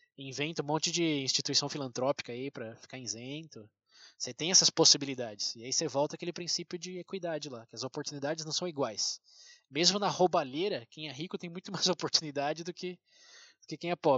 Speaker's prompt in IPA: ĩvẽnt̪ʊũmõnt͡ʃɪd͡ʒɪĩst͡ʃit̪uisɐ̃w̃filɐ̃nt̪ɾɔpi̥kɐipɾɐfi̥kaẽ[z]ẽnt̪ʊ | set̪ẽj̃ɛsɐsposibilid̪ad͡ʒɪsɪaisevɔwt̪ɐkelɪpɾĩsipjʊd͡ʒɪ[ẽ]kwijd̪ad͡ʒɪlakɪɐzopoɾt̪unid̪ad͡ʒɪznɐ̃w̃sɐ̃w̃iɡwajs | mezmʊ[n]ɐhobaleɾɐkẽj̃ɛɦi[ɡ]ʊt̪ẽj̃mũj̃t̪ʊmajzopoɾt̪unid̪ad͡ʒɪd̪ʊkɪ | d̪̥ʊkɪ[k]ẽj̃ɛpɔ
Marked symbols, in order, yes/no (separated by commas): yes, no, yes, no, yes